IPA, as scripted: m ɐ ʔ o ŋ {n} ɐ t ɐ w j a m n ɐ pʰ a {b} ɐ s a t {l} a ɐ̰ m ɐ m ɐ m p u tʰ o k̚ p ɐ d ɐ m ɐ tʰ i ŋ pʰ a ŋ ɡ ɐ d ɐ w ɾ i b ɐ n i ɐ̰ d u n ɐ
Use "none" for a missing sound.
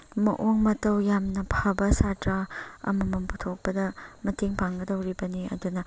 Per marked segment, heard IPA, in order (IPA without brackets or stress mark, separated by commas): m, b, ɾ